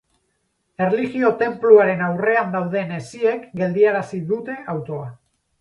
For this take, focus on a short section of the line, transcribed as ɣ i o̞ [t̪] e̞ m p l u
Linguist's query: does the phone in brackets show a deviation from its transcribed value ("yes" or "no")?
no